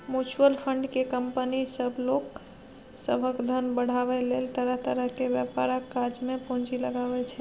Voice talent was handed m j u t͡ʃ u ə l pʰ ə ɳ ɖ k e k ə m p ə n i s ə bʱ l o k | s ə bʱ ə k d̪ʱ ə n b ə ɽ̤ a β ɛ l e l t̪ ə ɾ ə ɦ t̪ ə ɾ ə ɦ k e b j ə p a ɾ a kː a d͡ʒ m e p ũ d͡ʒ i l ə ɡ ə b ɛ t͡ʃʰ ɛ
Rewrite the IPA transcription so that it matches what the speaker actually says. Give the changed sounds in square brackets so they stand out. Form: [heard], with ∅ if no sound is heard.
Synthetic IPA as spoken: m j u t͡ʃ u ə l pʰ ə ɳ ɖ k e k ə m p ə n i s ə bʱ l o k | s ə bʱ ə k d̪ʱ ə n b ə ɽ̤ a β ɛ l e l t̪ ə ɾ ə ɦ t̪ ə ɾ ə ɦ k e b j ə p a ɾ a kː a d͡ʒ m e p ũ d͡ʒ i l ə ɡ [a] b ɛ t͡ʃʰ ɛ